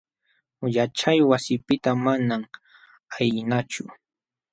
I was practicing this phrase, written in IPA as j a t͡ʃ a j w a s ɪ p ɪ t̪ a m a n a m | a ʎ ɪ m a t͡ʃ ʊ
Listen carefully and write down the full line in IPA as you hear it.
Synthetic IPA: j a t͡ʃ a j w a s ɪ p ɪ t̪ a m a n a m | a j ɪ n a t͡ʃ ʊ